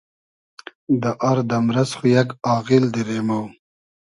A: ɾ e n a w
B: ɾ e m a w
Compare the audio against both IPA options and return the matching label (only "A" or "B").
B